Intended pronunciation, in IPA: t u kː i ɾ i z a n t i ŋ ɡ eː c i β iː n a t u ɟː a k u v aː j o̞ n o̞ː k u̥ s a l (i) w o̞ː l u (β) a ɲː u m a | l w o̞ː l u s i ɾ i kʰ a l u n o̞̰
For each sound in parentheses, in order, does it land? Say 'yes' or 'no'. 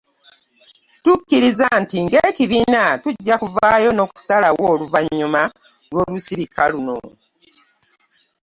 no, no

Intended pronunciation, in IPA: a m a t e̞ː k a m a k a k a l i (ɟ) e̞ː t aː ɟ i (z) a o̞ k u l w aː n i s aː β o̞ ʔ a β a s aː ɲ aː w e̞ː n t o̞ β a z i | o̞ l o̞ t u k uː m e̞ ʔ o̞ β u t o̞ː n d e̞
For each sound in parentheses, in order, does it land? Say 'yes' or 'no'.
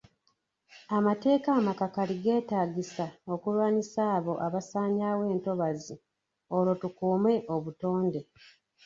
no, no

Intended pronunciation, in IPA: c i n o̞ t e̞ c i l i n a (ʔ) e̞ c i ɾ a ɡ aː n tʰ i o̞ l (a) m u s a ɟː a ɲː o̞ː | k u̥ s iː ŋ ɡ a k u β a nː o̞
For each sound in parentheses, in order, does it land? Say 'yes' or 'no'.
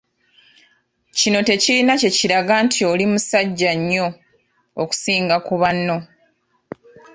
no, no

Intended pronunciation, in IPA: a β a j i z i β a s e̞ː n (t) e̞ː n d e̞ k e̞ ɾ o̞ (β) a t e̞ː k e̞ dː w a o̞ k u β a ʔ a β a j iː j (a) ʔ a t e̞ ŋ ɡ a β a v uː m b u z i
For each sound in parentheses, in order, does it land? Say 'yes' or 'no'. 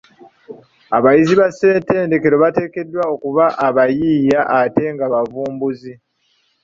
yes, yes, yes

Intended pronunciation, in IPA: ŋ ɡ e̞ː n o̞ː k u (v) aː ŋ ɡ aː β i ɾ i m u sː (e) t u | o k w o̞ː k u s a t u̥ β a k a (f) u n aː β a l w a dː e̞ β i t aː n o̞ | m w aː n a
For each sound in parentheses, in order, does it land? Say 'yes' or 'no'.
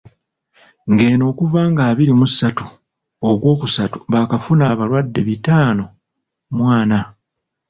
yes, no, yes

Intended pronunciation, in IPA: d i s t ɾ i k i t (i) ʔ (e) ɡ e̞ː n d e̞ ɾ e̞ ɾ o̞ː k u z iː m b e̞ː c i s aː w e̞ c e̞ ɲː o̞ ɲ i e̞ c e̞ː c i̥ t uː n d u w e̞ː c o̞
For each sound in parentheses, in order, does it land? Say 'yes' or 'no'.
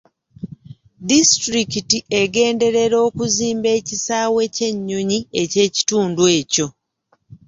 yes, yes

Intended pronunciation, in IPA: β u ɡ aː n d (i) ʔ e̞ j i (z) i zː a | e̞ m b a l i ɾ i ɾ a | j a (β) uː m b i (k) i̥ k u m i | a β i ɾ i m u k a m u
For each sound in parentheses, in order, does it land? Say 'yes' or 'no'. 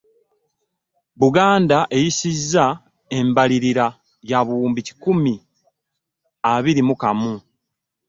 no, no, yes, no

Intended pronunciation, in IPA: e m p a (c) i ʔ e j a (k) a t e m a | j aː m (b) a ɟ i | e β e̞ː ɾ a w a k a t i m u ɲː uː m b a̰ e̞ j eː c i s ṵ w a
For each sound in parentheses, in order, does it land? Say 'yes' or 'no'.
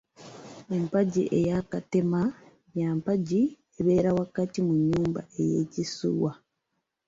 no, yes, no

